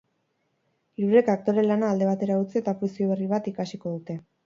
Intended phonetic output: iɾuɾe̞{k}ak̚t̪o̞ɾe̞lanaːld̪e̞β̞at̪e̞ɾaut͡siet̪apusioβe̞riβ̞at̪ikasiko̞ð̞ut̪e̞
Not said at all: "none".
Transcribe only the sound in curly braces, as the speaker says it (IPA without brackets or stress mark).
k